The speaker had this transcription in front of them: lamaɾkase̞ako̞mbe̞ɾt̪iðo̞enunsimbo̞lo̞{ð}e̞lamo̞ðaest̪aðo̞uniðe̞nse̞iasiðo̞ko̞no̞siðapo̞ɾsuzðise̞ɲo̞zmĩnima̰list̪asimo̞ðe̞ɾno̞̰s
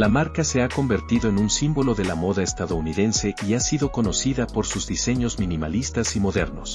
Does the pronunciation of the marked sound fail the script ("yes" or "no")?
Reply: no